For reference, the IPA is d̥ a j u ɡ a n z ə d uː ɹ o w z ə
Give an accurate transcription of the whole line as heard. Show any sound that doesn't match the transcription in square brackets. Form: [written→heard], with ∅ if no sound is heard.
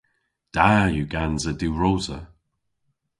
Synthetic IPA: d̥ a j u ɡ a n z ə d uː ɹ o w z ə